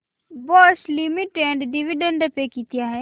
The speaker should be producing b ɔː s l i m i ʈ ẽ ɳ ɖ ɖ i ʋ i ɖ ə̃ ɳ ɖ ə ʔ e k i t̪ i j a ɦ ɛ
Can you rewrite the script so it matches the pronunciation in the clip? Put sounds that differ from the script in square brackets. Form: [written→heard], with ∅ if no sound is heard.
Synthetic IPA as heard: b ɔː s l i m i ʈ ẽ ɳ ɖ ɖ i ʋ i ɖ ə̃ ɳ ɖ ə [ʔ→p] e k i t̪ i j a ɦ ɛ